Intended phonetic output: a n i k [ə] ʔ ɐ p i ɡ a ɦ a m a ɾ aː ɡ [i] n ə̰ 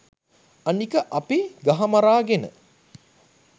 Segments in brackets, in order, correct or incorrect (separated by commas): correct, incorrect